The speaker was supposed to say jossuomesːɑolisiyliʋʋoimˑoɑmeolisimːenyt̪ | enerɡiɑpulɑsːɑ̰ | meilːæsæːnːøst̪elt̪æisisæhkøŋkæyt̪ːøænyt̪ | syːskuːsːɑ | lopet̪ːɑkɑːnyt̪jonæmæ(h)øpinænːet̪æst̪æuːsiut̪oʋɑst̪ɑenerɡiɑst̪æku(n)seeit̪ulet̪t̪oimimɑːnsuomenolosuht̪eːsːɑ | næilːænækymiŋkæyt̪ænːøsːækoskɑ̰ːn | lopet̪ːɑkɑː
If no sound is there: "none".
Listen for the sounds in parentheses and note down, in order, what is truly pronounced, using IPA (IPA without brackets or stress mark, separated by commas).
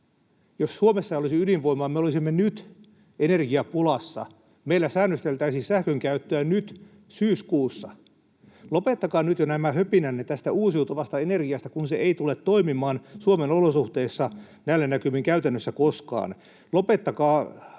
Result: h, n